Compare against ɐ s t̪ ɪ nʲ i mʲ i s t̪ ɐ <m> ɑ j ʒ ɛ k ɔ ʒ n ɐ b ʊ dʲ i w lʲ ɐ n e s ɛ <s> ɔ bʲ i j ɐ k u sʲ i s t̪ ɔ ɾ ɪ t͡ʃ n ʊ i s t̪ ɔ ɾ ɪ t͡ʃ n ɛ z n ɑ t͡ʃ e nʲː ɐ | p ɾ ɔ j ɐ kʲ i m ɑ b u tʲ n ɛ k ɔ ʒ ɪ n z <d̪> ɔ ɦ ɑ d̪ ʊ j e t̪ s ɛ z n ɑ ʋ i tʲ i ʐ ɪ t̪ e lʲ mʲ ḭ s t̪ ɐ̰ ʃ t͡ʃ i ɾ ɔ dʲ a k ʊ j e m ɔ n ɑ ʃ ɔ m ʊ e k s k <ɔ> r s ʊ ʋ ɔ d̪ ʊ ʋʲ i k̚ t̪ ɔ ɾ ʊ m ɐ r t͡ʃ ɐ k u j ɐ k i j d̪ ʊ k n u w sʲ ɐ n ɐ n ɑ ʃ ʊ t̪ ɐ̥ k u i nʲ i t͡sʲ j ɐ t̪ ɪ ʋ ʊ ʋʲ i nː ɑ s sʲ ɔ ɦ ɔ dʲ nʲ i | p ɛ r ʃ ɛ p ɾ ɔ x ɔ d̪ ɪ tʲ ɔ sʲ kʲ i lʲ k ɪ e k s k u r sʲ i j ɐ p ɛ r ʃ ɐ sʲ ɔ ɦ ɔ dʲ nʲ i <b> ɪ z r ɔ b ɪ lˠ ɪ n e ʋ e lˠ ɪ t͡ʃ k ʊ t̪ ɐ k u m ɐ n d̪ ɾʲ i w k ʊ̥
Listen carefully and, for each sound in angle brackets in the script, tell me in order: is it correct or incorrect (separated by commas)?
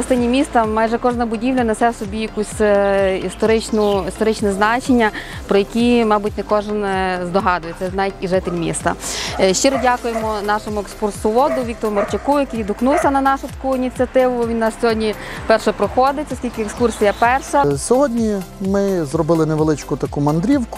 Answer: correct, correct, correct, incorrect, incorrect